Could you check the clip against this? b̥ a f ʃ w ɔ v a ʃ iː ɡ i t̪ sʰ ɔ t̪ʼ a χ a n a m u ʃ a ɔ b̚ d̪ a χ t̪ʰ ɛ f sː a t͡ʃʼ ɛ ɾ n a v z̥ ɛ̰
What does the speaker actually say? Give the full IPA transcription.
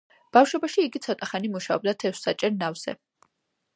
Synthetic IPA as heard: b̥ a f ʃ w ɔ b a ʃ iː ɡ i t̪ sʰ ɔ t̪ʼ a χ a n i m u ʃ a ɔ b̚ d̪ a t̪ʰ ɛ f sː a t͡ʃʼ ɛ ɾ n a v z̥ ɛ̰